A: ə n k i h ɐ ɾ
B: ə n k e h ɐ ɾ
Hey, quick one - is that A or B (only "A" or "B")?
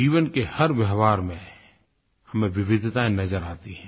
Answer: B